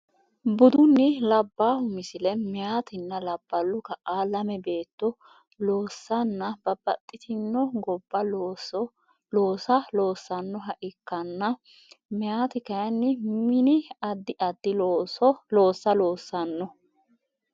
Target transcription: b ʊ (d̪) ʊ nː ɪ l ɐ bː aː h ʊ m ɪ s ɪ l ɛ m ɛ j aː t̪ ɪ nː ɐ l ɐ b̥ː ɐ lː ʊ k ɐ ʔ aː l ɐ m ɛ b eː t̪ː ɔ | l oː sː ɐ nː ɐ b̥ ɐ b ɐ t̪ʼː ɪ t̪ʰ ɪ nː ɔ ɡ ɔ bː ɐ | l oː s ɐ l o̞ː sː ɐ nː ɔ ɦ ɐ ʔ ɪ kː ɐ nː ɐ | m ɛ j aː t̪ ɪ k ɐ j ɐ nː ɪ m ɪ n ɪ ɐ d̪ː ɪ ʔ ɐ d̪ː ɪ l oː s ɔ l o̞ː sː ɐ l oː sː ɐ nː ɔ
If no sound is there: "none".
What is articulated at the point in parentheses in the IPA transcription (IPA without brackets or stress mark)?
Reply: d̪